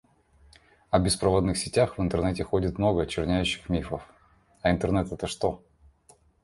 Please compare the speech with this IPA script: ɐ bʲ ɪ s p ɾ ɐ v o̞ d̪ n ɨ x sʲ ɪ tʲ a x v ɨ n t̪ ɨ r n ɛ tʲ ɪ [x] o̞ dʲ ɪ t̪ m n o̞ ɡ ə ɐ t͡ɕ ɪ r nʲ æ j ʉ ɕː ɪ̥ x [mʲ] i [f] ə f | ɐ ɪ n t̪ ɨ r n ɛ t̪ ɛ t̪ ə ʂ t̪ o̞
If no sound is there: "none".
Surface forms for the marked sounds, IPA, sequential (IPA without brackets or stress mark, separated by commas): x, mʲ, f